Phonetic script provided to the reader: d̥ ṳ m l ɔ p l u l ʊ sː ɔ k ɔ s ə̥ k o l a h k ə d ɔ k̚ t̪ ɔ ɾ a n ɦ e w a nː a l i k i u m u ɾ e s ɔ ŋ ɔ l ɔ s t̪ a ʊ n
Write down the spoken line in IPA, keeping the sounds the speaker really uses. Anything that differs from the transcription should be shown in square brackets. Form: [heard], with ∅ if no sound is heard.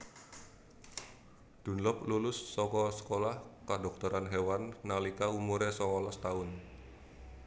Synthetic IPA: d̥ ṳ [n] l ɔ p l u l ʊ sː ɔ k ɔ s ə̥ k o l a h k [a] d ɔ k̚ t̪ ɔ ɾ a n ɦ e w a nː a l i k [a] u m u ɾ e s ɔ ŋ ɔ l ɔ s t̪ a ʊ n